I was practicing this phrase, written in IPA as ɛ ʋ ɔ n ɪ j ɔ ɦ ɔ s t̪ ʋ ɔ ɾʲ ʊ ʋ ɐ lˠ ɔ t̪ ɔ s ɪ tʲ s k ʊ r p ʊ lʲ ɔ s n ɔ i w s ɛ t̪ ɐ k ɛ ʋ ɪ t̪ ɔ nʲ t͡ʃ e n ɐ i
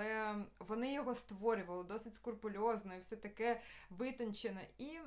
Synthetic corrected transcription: ɛ ʋ ɔ n ɪ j ɔ ɦ ɔ s t̪ ʋ ɔ ɾʲ ʊ ʋ ɐ lˠ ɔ d̪ ɔ s ɪ tʲ s k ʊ r p ʊ lʲ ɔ z n ɔ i w s ɛ t̪ ɐ k ɛ ʋ ɪ t̪ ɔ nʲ t͡ʃ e n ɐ i